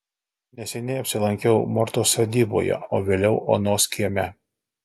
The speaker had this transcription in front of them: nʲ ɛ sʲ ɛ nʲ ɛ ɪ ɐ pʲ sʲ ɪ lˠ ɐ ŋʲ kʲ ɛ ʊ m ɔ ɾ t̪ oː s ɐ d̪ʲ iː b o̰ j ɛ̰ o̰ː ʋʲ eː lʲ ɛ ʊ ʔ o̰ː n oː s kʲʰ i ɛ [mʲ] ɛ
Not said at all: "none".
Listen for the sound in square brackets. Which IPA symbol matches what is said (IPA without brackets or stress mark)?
mʲ